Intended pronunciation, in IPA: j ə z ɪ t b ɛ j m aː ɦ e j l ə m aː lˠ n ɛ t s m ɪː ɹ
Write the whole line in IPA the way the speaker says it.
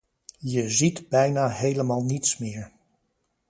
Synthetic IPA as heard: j ə z i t b ɛ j n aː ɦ e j l ə m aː lˠ n i t s m ɪː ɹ